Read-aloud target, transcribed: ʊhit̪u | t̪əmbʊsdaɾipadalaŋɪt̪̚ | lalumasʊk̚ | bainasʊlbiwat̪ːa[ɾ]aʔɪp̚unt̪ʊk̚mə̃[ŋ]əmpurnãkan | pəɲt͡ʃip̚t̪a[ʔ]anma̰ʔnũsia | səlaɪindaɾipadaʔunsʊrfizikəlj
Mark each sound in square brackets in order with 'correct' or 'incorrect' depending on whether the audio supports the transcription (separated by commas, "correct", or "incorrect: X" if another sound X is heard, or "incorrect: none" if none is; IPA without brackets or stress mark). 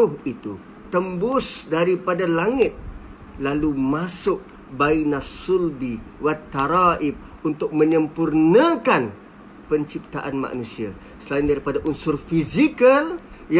correct, incorrect: ɲ, correct